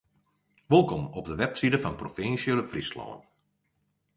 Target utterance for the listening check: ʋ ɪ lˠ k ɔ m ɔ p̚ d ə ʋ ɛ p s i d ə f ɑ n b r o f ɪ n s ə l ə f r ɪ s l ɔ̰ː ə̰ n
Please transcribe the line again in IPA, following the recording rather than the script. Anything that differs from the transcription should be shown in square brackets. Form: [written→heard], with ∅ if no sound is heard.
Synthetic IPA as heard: ʋ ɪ lˠ k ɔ m ɔ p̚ d ə ʋ ɛ p s i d ə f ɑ n [b→p] r o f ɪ n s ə l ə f r [ɪ→i] s l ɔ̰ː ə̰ n